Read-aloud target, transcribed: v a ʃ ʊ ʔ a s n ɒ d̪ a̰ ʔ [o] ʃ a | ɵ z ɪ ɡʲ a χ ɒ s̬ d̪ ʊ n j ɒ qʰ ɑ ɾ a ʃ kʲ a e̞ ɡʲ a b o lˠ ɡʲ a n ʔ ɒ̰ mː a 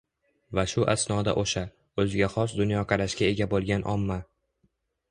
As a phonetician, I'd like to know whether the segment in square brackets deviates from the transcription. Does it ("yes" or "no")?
no